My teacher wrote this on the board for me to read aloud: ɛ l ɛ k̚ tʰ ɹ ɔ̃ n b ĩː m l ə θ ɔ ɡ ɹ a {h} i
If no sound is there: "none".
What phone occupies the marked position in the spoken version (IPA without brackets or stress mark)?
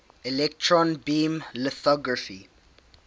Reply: f